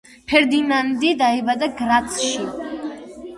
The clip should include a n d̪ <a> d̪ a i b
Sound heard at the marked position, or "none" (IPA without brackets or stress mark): i